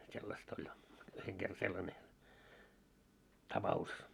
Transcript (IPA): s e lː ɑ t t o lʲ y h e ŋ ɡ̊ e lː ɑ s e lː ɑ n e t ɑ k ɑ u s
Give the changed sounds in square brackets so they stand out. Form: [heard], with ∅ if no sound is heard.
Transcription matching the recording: s e lː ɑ [s] t o lʲ y h e ŋ ɡ̊ e [rː] ɑ s e lː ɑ n e t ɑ [p] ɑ u s

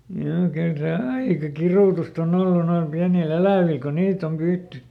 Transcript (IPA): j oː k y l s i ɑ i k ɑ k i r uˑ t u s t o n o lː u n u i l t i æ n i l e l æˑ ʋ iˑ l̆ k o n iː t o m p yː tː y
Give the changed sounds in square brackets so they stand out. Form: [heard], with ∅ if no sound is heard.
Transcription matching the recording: j oː k y l s [e] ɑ i k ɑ k i r uˑ t u s t o n o lː u n [o] i l [p] i æ n i l e l æˑ ʋ iˑ l̆ k o n iː t o m p yː tː y

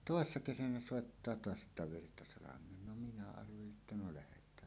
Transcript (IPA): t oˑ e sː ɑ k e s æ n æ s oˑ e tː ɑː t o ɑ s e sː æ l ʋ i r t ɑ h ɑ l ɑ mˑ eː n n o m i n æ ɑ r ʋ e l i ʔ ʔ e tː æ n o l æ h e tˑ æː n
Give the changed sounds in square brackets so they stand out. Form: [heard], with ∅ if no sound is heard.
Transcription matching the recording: t oˑ e sː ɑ k e s æ n æ s oˑ e tː ɑː t o ɑ s e [tː] æ [∅] ʋ i r t ɑ [s] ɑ l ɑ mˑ eː n n o m i n æ ɑ r ʋ e l i ʔ ʔ e tː æ n o l æ h e tˑ æː n

